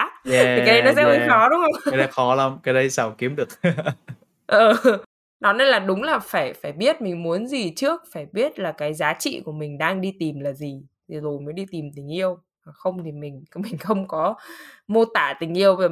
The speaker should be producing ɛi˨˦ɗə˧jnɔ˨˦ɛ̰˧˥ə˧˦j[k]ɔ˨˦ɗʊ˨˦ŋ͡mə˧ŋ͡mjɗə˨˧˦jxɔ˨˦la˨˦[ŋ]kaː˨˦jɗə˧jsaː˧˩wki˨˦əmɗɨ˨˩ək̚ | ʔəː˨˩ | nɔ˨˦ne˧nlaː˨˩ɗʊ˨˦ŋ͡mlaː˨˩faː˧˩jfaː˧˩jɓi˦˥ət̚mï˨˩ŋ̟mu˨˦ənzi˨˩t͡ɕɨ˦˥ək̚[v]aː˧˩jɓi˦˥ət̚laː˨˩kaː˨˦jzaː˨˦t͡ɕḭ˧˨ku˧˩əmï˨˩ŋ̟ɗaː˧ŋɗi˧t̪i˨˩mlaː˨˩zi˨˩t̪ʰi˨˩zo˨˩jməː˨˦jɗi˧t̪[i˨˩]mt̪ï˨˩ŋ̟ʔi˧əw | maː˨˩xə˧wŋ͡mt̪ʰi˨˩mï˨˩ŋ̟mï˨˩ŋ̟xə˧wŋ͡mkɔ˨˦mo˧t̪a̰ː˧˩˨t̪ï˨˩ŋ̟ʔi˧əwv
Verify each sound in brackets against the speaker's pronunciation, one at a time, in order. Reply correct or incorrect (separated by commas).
incorrect, incorrect, incorrect, correct